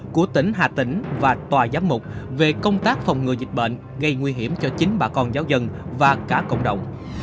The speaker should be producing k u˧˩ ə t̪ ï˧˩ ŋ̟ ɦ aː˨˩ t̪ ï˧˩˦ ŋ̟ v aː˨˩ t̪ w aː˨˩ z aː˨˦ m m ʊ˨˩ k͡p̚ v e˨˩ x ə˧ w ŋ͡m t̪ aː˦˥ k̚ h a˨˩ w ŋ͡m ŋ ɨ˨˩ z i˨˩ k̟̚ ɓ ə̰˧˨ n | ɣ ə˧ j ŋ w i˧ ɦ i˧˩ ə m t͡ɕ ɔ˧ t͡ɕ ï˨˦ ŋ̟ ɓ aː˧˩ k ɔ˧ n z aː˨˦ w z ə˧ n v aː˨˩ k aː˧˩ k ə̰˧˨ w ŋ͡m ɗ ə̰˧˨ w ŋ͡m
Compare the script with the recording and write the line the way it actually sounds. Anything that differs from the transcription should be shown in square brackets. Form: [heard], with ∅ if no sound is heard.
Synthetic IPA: k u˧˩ ə t̪ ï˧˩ ŋ̟ ɦ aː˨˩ t̪ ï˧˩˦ ŋ̟ v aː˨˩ t̪ w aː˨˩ z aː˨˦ m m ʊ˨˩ k͡p̚ v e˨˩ [k] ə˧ w ŋ͡m t̪ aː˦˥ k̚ [f] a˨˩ w ŋ͡m ŋ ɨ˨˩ z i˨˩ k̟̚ ɓ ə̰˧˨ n | ɣ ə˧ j ŋ w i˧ ɦ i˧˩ ə m t͡ɕ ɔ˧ t͡ɕ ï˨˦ ŋ̟ ɓ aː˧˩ k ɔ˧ n z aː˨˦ w z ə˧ n v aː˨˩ k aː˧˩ k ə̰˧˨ w ŋ͡m ɗ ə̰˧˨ w ŋ͡m